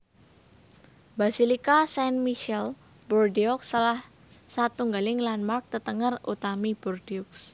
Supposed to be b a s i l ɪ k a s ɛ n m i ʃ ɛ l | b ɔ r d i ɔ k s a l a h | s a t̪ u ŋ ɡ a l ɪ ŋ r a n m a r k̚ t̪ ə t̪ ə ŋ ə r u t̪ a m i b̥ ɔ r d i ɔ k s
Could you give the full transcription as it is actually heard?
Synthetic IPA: b a s i l i k a s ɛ n m i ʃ ɛ l | b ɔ r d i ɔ k s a l a h | s a t̪ u ŋ ɡ a l ɪ ŋ l a n m a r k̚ t̪ ə t̪ ə ŋ ə r u t̪ a m i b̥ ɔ r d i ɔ k s

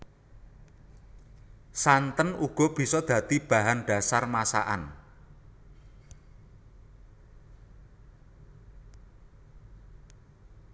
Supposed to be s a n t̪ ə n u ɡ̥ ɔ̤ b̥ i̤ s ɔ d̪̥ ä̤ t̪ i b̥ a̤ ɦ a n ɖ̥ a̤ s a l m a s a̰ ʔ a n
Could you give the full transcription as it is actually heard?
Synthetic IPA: s a n t̪ ə n u ɡ̥ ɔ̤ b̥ i̤ s ɔ d̪̥ ä̤ t̪ i b̥ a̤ ɦ a n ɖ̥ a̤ s a r m a s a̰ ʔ a n

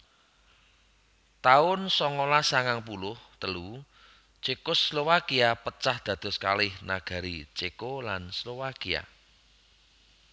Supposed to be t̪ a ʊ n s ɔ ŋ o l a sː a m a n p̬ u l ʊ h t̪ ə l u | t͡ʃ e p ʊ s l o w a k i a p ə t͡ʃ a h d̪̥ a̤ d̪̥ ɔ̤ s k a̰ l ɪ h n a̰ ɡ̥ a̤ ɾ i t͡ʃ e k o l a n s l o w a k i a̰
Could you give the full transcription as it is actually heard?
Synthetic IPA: t̪ a ʊ n s ɔ ŋ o l a s a ŋ a ŋ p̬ u l ʊ h t̪ ə l u | t͡ʃ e k ʊ s l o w a k i a p ə t͡ʃ a h d̪̥ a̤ d̪̥ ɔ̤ s k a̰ l ɪ h n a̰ ɡ̥ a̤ ɾ i t͡ʃ e k o l a n s l o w a k i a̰

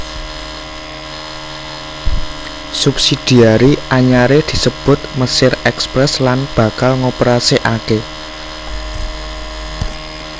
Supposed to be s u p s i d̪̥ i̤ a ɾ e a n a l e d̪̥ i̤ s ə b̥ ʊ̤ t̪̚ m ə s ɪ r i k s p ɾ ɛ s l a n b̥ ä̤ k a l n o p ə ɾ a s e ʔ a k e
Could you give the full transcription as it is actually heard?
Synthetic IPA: s u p s i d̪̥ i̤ a ɾ i a ɲ a ɾ e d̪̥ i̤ s ə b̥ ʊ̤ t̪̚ m ə s ɪ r ɛ k s p ɾ ɛ s l a n b̥ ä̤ k a l ŋ o p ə ɾ a s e ʔ a k e

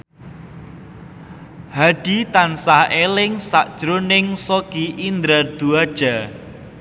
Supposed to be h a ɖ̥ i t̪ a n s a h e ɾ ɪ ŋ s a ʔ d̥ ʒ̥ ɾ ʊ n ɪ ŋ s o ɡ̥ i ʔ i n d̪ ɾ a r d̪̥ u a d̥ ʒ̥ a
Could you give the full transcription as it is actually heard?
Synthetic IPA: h a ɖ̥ i t̪ a n s a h e l ɪ ŋ s a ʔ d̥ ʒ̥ ɾ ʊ n ɪ ŋ s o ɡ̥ i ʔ i n d̪ ɾ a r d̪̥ u a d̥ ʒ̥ a

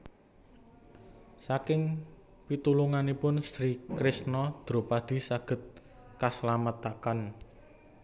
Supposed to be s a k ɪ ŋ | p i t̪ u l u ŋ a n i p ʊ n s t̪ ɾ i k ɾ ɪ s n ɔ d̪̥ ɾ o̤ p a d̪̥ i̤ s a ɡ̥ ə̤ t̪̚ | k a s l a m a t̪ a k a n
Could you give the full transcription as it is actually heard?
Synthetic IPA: s a k ɪ ŋ | p i t̪ u l u ŋ a n i p ʊ n s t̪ ɾ i k ɾ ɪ s n ɔ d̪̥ ɾ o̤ p a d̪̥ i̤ s a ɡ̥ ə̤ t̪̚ | k a s l a m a t̪ a k a n

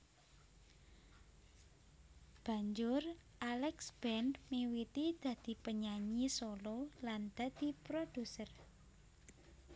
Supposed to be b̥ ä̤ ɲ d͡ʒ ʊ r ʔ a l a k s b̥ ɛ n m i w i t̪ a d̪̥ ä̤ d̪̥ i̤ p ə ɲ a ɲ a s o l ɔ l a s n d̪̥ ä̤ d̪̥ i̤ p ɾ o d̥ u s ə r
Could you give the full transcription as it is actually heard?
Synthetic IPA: b̥ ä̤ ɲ d͡ʒ ʊ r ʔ a l ɛ k s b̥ ɛ n m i w i t̪ i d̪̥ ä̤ d̪̥ i̤ p ə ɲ a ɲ i s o l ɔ l a n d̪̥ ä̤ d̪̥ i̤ p ɾ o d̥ u s ə r

